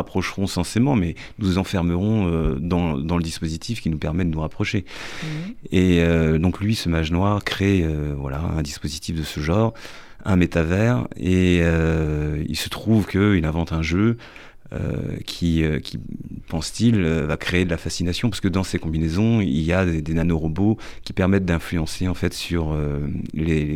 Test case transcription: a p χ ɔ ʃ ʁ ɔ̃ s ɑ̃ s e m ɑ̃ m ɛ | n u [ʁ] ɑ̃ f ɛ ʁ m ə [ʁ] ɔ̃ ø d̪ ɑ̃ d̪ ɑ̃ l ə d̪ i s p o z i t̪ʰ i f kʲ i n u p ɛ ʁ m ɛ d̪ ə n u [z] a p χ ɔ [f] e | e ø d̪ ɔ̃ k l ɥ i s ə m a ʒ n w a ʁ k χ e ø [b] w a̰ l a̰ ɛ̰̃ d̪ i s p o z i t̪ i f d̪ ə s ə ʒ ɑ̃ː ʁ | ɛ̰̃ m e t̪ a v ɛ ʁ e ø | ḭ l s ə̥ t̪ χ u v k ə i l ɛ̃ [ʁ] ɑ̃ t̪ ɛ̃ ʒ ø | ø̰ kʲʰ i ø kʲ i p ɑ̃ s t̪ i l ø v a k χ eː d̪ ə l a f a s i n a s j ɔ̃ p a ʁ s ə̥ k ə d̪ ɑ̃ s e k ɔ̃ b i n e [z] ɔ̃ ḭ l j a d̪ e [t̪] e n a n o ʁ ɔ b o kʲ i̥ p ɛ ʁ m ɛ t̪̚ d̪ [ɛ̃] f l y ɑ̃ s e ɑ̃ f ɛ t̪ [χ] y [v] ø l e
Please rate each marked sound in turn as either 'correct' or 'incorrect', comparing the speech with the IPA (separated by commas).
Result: incorrect, correct, incorrect, incorrect, incorrect, incorrect, correct, incorrect, correct, incorrect, incorrect